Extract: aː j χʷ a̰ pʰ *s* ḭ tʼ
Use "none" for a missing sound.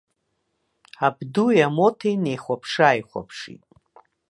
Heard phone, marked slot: ʂ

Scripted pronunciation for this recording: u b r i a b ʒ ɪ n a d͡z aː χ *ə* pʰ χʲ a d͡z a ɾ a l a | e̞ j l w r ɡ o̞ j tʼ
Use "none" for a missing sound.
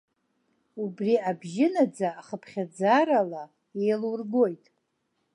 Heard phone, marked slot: ə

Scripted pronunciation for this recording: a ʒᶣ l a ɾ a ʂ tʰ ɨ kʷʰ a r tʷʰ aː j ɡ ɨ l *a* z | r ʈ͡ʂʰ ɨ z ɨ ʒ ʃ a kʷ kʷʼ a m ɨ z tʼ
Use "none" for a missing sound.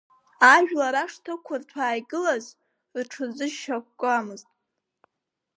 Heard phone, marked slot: a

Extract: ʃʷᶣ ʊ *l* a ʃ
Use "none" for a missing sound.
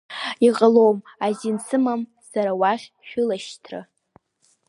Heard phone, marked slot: l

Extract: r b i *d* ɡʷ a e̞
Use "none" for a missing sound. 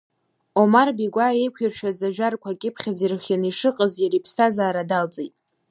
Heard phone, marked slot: none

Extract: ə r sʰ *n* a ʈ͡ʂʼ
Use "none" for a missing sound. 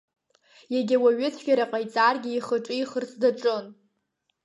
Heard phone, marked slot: d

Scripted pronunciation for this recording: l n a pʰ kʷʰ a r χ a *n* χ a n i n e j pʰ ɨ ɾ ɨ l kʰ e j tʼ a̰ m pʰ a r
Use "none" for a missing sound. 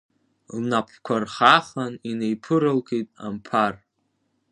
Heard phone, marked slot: none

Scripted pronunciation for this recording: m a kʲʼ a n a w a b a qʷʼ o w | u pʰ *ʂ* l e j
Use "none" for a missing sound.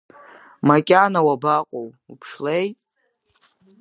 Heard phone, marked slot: ʂ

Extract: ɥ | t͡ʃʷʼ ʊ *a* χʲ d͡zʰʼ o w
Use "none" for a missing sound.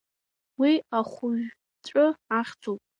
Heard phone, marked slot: a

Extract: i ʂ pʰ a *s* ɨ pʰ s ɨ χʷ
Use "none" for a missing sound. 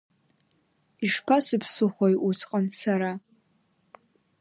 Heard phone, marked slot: s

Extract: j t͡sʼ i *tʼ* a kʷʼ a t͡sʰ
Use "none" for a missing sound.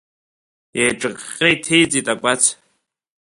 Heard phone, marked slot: tʼ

